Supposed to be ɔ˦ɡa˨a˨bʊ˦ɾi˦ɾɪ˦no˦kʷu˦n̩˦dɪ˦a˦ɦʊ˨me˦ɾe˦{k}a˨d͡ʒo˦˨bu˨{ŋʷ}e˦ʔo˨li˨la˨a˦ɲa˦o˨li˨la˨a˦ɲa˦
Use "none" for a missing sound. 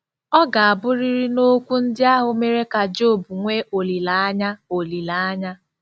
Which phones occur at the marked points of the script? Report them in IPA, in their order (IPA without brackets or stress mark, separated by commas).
k, ŋʷ